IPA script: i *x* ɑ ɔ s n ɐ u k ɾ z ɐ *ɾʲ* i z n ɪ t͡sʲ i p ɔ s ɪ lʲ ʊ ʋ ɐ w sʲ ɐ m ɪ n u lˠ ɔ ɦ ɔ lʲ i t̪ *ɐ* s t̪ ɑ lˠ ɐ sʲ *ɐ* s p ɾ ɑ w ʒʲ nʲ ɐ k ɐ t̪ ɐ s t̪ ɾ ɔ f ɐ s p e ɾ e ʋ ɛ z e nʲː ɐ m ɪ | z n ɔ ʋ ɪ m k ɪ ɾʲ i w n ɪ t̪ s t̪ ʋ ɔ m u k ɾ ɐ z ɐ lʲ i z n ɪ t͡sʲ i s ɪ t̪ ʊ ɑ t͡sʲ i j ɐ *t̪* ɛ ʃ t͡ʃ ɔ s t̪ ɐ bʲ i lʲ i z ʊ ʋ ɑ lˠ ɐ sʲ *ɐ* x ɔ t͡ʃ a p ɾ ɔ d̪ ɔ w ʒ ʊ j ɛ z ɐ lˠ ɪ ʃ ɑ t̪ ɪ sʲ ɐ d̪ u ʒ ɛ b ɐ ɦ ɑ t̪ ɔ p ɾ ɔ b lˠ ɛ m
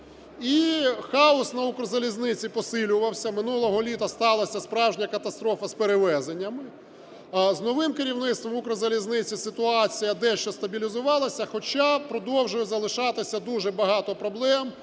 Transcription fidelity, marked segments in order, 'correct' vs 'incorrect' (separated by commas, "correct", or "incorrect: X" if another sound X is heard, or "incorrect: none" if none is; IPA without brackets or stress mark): correct, incorrect: lʲ, correct, correct, incorrect: d̪, correct